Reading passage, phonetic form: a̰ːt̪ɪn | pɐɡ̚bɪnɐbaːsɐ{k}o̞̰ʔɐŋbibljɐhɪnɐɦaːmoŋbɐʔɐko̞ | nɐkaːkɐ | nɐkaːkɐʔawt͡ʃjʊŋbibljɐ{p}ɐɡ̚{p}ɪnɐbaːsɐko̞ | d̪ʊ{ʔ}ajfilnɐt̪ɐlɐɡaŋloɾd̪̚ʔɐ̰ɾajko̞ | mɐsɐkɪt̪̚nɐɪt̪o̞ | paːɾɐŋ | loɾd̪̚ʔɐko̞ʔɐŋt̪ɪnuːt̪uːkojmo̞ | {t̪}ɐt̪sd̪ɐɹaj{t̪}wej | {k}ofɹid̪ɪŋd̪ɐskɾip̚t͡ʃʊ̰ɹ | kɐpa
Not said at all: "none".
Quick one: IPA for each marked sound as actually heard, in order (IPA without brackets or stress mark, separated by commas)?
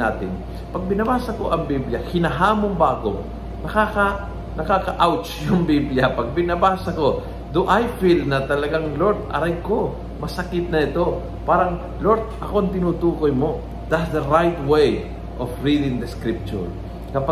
k, p, b, ʔ, d̪, t̪, ʔ